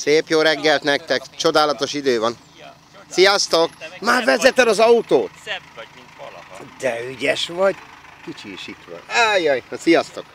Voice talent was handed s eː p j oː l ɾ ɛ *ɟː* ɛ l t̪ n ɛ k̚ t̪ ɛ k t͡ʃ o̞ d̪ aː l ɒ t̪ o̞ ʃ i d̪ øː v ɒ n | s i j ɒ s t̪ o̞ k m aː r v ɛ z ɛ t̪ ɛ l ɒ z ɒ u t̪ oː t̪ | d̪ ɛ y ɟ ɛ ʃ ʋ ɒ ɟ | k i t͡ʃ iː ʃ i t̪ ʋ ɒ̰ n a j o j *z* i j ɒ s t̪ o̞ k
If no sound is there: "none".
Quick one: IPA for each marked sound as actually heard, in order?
ɡː, s

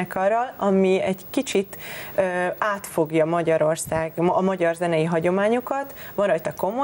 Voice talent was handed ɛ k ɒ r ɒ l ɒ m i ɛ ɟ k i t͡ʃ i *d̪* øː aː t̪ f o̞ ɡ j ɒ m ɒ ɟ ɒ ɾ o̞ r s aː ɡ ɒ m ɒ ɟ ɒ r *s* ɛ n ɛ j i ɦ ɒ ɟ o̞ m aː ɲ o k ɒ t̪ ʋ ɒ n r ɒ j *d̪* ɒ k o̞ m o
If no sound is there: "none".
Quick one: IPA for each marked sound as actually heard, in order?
t̪, z, t̪

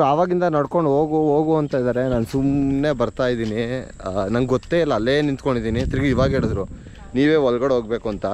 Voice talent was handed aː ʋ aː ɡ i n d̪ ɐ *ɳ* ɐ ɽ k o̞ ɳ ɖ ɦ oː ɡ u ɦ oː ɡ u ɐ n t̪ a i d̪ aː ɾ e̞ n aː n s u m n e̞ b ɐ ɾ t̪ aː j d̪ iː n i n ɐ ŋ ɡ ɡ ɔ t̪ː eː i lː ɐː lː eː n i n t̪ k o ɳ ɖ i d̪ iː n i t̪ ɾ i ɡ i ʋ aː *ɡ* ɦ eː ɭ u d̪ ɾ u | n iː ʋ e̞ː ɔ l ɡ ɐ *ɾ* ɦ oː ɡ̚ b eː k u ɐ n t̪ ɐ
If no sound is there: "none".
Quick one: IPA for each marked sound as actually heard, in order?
n, ɡ, ɽ

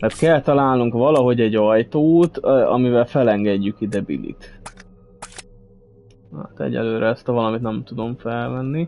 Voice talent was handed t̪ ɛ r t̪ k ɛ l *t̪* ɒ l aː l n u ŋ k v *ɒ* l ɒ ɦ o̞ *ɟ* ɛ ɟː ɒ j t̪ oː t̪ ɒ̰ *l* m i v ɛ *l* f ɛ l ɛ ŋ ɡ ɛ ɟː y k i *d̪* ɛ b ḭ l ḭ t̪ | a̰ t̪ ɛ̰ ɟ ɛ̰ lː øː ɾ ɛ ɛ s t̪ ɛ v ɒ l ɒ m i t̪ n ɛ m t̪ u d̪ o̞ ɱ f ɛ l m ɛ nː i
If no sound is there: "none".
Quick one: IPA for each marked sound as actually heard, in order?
t̪, ɒ, ɟ, none, l, d̪

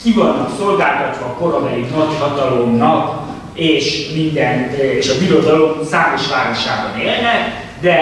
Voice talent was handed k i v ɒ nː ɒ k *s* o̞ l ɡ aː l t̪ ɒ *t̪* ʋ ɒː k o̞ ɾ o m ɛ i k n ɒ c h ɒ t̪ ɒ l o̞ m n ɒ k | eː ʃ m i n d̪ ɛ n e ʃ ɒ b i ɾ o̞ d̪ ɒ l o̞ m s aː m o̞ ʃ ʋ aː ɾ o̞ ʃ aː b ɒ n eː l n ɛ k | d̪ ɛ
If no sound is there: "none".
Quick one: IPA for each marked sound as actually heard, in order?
s, t̪

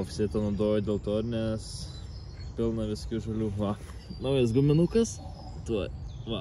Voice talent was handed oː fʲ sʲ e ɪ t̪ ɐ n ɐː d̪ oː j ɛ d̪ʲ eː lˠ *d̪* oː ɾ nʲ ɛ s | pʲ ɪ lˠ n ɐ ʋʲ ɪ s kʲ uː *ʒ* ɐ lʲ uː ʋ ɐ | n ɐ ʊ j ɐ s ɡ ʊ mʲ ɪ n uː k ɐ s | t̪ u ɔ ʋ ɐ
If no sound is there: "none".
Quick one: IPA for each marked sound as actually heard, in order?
t̪, ʒ

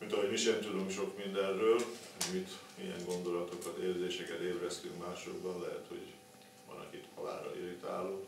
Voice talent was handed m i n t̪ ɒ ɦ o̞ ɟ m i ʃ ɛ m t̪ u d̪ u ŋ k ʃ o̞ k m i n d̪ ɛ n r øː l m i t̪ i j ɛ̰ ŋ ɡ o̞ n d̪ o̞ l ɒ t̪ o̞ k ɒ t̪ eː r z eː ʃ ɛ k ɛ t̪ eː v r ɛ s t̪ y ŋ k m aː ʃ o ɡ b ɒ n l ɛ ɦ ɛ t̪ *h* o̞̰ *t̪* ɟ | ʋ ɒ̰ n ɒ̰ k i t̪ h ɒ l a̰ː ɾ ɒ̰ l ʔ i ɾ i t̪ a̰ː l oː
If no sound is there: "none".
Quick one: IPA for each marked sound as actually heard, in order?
h, none

